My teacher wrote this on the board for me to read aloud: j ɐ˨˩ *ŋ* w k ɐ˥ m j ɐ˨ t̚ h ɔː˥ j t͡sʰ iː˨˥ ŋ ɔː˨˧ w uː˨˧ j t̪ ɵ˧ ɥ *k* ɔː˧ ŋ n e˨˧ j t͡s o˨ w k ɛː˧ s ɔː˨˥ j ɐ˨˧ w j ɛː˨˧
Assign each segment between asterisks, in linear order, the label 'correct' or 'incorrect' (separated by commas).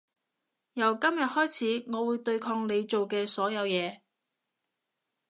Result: incorrect, incorrect